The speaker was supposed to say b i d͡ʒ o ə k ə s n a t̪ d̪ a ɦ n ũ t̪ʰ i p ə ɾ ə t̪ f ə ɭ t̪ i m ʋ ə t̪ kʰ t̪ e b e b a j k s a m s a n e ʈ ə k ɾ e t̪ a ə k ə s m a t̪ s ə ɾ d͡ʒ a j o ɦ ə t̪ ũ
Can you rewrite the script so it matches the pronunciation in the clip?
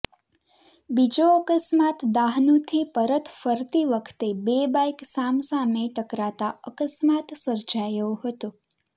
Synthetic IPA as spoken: b i d͡ʒ o ə k ə s m a t̪ d̪ a ɦ n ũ t̪ʰ i p ə ɾ ə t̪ f ə ɾ t̪ i ʋ ə kʰ t̪ e b e b a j k s a m s a m e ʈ ə k ɾ a t̪ a ə k ə s m a t̪ s ə ɾ d͡ʒ a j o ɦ ə t̪ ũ